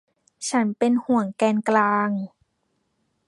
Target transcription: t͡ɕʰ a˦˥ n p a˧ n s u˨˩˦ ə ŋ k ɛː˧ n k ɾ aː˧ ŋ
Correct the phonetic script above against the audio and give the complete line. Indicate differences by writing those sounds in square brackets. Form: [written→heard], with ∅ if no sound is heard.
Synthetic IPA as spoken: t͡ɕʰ a˦˥ n p [a˧→e˧] n [s→h] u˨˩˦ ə ŋ k ɛː˧ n k [ɾ→l] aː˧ ŋ